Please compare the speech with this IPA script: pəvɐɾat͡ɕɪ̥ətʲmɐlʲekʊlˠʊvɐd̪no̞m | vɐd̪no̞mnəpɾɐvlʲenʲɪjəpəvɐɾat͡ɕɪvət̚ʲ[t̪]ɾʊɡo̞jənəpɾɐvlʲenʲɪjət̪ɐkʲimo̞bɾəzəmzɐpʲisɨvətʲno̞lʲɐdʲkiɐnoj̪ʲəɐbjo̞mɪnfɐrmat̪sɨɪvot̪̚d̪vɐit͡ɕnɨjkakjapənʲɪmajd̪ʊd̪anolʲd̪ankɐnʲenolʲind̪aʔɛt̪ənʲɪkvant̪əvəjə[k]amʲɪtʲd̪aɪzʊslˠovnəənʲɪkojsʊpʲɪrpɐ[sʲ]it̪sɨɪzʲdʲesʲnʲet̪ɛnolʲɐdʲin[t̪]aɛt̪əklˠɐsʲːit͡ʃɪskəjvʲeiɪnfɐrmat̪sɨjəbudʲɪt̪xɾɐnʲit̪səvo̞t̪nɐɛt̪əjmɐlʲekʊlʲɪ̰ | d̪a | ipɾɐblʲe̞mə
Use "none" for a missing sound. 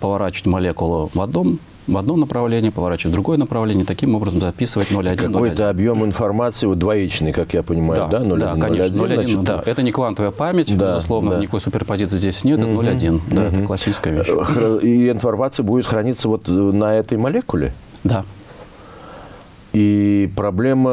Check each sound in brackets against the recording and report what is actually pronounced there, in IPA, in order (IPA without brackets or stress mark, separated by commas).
d̪, p, zʲ, d̪